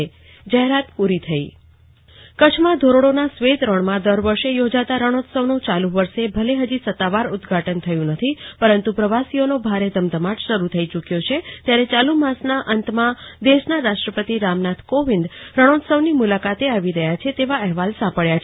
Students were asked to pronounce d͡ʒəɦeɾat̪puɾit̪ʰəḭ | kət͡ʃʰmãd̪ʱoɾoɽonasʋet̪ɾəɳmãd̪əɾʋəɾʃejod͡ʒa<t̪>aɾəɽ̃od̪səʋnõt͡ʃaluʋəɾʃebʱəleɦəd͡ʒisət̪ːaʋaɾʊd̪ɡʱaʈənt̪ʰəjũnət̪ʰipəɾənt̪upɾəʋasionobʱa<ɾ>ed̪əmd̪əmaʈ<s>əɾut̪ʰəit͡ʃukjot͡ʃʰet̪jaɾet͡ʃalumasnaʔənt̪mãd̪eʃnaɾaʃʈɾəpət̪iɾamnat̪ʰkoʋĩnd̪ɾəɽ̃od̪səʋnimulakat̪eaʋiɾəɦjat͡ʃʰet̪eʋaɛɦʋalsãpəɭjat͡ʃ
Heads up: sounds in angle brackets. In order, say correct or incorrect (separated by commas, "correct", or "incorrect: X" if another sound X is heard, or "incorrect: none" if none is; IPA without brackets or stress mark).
correct, correct, incorrect: ʃ